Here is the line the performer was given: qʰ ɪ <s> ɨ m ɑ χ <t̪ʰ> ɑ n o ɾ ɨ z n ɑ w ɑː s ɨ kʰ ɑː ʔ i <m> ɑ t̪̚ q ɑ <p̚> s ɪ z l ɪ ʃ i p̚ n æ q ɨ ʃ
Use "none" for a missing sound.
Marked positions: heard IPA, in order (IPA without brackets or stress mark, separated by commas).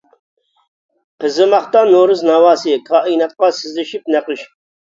z, t̪, n, none